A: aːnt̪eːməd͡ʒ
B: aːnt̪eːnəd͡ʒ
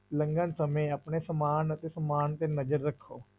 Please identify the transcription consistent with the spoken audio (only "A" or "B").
B